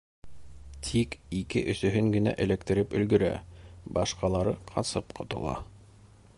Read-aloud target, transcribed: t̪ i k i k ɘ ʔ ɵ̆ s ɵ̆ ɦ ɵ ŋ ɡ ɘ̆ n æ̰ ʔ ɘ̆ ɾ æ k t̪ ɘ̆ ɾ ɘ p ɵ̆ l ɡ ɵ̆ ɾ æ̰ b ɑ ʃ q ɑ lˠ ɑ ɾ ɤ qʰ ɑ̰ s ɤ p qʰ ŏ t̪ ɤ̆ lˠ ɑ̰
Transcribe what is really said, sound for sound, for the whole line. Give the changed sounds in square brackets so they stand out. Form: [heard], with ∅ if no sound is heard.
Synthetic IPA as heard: [t̪ʰ] i k i k ɘ ʔ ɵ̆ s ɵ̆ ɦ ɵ ŋ ɡ ɘ̆ n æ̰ ʔ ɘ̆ [l] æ k t̪ ɘ̆ ɾ ɘ p ɵ̆ l ɡ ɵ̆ ɾ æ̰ b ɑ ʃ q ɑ lˠ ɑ ɾ ɤ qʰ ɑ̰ s ɤ p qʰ ŏ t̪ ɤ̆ lˠ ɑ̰

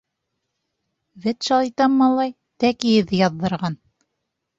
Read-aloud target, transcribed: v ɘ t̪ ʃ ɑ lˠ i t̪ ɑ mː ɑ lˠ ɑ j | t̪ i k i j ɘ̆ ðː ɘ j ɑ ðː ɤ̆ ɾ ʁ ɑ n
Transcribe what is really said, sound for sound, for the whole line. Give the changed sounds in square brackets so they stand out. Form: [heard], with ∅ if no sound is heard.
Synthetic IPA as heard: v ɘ t̪ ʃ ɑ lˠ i t̪ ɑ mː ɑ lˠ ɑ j | t̪ [æ] k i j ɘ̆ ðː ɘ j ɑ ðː ɤ̆ ɾ ʁ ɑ n

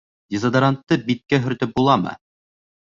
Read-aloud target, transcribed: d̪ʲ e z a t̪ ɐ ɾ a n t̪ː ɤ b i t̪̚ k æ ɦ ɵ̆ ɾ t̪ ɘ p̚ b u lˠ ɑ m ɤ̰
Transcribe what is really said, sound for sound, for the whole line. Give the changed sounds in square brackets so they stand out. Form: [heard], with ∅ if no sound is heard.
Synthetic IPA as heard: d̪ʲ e z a [d̪] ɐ ɾ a n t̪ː ɤ b i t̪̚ k æ ɦ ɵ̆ ɾ t̪ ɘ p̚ b u lˠ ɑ m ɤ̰

